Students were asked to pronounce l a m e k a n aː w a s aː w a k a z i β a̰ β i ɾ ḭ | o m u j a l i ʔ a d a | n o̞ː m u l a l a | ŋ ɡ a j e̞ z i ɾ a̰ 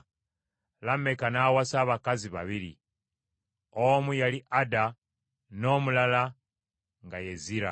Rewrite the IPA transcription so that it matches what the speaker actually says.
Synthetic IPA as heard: l a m e k a n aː w a s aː β a k a z i β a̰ β i ɾ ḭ | o m u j a l i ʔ a d a | n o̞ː m u l a l a | ŋ ɡ a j e̞ z i ɾ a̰